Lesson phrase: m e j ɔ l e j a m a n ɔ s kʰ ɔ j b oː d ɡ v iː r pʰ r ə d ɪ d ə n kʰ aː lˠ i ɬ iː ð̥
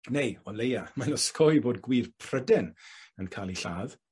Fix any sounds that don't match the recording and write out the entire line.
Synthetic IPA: n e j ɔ l e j a m a n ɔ s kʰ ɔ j b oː d ɡ w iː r pʰ r ə d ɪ n ə n kʰ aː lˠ i ɬ aː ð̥